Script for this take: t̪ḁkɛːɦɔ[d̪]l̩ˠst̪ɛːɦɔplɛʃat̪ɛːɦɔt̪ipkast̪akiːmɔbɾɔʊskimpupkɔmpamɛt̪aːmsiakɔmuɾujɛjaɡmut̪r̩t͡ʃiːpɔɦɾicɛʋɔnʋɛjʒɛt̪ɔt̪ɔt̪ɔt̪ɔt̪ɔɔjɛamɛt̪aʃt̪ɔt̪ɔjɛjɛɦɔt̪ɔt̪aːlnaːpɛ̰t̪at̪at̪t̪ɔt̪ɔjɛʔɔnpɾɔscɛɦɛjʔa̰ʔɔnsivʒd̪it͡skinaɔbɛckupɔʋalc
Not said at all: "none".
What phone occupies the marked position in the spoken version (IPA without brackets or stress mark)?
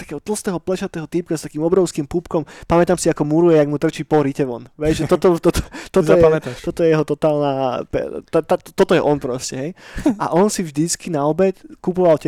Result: t̪